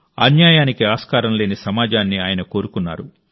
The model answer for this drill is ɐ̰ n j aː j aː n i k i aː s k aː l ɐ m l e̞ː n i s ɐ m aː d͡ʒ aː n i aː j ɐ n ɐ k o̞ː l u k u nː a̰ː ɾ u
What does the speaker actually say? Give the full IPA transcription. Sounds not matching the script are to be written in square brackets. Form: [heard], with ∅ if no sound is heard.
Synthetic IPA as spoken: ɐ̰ n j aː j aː n i k i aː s k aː [ɾ] ɐ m l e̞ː n i s ɐ m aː d͡ʒ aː [nː] i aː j ɐ n ɐ k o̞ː [ɾ] u k u nː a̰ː ɾ u